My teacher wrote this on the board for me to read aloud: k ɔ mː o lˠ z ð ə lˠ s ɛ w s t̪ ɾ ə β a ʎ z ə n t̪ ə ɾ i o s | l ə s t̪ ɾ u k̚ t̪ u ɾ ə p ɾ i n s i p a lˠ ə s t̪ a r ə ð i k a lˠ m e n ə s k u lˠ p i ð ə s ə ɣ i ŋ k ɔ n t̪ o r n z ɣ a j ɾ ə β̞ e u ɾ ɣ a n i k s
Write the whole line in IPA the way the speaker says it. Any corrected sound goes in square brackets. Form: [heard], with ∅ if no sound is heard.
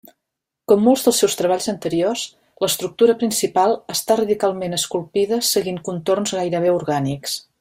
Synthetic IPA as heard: k ɔ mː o lˠ z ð ə lˠ s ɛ w s t̪ ɾ ə β a ʎ z ə n t̪ ə ɾ i o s | l ə s t̪ ɾ u k̚ t̪ u ɾ ə p ɾ i n s i p a lˠ ə s t̪ a r ə ð i k a lˠ m e n ə s k u lˠ p i ð ə s ə ɣ i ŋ k [u] n t̪ o r n z ɣ a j ɾ ə β̞ e u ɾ ɣ a n i k s